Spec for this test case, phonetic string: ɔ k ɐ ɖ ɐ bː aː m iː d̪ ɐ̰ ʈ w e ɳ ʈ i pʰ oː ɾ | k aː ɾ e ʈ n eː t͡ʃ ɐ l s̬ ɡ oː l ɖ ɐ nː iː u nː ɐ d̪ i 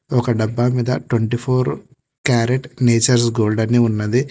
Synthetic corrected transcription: ɔ k ɐ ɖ ɐ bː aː m iː d̪ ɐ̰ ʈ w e ɳ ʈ i pʰ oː ɾ | k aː ɾ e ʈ n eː t͡ʃ ɐ ɾ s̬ ɡ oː l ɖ ɐ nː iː u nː ɐ d̪ i

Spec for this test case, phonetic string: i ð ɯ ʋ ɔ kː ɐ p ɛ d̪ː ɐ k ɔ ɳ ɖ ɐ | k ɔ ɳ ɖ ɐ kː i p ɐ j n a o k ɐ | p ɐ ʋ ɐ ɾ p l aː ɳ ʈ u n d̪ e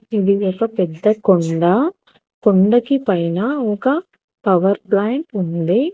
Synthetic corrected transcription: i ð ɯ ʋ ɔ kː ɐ p ɛ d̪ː ɐ k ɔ ɳ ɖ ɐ | k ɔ ɳ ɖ ɐ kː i p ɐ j n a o k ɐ | p ɐ ʋ ɐ ɾ p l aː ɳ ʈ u n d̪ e

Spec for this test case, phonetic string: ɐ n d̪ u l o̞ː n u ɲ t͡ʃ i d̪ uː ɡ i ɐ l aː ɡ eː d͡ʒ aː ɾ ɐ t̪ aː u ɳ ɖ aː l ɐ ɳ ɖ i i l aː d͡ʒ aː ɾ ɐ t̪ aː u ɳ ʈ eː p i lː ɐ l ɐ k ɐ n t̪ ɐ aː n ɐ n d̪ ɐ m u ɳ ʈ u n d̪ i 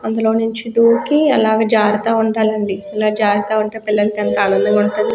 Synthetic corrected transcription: ɐ n d̪ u l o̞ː n u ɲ t͡ʃ i d̪ uː k i ɐ l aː ɡ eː d͡ʒ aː ɾ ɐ t̪ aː u ɳ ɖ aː l ɐ ɳ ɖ i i l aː d͡ʒ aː ɾ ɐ t̪ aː u ɳ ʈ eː p i lː ɐ l ɐ k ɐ n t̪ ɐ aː n ɐ n d̪ ɐ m u ɳ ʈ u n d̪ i

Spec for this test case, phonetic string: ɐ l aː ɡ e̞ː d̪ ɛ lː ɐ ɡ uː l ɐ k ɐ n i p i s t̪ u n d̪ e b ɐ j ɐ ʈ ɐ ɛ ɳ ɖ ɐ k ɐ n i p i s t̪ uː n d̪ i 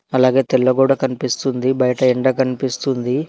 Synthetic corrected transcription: ɐ l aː ɡ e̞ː t̪ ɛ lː ɐ ɡ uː ɽ ɐ k ɐ n i p i s t̪ u n d̪ i b ɐ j ɐ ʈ ɐ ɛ ɳ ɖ ɐ k ɐ n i p i s t̪ u n d̪ i

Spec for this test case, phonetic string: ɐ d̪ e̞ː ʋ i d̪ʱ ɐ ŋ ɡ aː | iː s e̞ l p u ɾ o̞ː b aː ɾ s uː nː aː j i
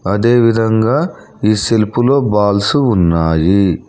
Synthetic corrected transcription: ɐ d̪ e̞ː ʋ i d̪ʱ ɐ ŋ ɡ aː | iː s e̞ l p u l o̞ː b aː l s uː nː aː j i

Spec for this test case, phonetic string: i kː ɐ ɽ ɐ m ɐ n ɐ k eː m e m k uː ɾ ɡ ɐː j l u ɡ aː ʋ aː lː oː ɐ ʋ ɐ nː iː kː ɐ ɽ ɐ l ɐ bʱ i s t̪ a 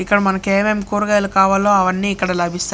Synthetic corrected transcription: i kː ɐ ɽ ɐ m ɐ n ɐ k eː m e m k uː ɾ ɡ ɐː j l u k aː ʋ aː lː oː ɐ ʋ ɐ nː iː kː ɐ ɽ ɐ l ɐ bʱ i s t̪ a

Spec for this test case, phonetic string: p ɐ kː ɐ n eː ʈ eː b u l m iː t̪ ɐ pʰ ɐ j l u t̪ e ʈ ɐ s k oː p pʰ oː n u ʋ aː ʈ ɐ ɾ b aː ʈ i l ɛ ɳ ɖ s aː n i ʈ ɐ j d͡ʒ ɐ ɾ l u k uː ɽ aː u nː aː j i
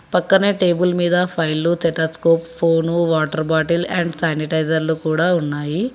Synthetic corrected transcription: p ɐ kː ɐ n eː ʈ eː b u l m iː d̪ ɐ pʰ ɐ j l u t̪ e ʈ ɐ s k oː p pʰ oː n u ʋ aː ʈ ɐ ɾ b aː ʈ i l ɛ ɳ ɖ s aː n i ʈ ɐ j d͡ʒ ɐ ɾ l u k uː ɽ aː u nː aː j i

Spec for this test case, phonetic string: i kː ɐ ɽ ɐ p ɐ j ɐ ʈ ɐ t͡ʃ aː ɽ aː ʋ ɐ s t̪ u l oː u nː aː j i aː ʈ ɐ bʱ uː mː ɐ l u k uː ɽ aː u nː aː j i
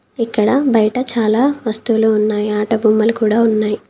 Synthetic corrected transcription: i kː ɐ ɽ ɐ b ɐ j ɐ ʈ ɐ t͡ʃ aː l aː ʋ ɐ s t̪ u l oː u nː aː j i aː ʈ ɐ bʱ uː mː ɐ l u k uː ɽ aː u nː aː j i

